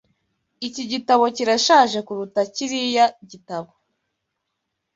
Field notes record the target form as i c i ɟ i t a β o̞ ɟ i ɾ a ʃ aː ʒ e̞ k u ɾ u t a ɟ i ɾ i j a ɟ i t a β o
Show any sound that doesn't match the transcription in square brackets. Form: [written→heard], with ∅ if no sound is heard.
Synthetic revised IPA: i c i ɟ i t a β o̞ [ɟ→c] i ɾ a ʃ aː ʒ e̞ k u ɾ u t a [ɟ→c] i ɾ i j a ɟ i t a β o